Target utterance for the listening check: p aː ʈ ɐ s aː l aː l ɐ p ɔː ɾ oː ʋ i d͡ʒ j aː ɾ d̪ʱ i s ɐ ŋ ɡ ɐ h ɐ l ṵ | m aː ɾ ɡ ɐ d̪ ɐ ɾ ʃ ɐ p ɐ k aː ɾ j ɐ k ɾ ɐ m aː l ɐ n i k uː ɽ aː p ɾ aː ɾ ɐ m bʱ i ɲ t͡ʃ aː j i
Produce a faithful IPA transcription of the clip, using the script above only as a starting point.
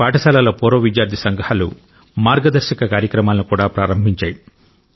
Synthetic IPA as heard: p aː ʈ ɐ s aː l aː l ɐ p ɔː ɾ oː ʋ i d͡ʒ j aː ɾ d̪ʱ i s ɐ ŋ ɡ ɐ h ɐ l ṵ | m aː ɾ ɡ ɐ d̪ ɐ ɾ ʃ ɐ k ɐ k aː ɾ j ɐ k ɾ ɐ m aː l ɐ n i k uː ɽ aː p ɾ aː ɾ ɐ m bʱ i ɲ t͡ʃ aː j i